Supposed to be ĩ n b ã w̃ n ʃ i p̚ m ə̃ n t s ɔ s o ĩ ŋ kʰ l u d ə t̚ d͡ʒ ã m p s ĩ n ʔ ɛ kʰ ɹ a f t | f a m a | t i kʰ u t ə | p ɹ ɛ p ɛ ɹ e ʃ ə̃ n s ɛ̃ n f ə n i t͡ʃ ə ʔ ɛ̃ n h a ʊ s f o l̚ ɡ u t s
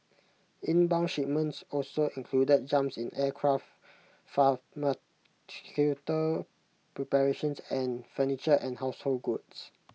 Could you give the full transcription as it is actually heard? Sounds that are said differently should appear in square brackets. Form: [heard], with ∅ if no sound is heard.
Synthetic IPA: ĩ n b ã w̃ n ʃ i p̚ m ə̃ n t s ɔ s o ĩ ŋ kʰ l u d ə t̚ d͡ʒ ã m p s ĩ n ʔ ɛ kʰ ɹ a f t | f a m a | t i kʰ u t ə | p ɹ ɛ p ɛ ɹ e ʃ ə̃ n s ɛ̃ n f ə n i t͡ʃ ə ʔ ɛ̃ n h a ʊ s [h] o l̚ ɡ u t s